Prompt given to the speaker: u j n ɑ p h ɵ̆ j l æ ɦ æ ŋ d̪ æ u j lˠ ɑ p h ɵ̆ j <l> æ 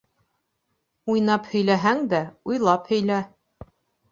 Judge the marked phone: correct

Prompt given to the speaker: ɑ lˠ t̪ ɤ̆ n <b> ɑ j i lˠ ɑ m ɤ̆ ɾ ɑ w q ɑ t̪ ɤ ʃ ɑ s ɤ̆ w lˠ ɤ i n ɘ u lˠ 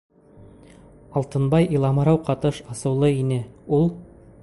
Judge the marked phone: correct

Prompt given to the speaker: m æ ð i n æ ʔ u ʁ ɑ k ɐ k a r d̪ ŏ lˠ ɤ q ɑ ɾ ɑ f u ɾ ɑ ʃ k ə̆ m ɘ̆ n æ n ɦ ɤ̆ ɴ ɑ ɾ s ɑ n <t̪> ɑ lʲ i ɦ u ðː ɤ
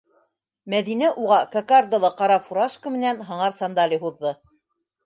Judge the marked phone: incorrect: d̪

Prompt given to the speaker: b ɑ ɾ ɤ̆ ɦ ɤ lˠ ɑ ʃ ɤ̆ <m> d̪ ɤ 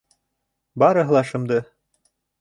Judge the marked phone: correct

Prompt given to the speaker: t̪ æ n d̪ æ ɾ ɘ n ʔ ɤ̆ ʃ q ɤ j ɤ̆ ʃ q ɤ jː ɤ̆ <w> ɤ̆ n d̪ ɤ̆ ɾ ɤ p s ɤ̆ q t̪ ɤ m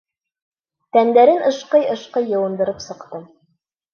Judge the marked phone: correct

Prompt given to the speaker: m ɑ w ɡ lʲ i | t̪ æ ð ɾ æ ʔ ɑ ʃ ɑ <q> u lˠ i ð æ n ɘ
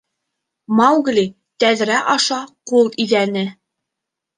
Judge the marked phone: correct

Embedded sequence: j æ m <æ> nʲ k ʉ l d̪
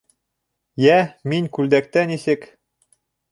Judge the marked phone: incorrect: i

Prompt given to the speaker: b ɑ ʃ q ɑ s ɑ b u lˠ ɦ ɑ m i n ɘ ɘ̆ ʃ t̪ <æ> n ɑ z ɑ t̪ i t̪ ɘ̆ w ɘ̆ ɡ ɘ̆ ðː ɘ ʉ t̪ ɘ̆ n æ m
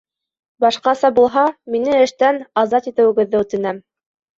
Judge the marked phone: correct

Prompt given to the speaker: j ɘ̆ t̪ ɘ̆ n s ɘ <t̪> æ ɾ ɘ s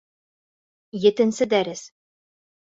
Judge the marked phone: incorrect: d̪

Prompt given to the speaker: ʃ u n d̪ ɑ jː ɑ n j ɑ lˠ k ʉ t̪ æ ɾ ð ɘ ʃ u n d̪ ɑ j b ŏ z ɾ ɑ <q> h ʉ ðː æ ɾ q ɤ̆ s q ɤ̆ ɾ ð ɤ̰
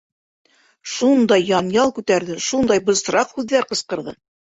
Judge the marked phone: correct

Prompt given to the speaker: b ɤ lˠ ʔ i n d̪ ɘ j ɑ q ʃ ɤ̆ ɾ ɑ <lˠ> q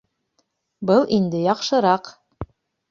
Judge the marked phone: incorrect: none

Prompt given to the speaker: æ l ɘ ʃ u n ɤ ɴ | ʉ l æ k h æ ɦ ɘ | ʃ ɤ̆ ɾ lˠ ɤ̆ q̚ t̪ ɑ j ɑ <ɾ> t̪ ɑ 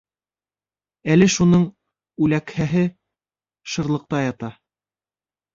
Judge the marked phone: incorrect: none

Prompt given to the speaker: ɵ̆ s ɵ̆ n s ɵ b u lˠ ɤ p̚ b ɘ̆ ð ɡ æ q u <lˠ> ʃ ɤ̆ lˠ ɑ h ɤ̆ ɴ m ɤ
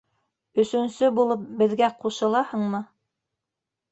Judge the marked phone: incorrect: none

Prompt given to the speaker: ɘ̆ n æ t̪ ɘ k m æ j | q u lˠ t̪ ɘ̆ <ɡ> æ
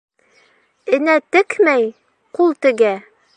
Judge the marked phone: correct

